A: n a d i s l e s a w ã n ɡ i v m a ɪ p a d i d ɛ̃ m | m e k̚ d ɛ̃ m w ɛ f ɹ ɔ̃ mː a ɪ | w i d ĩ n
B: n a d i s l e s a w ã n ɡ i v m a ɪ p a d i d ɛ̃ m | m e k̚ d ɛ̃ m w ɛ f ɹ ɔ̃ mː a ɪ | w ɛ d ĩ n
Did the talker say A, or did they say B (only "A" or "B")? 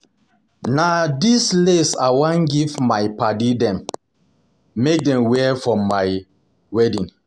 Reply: B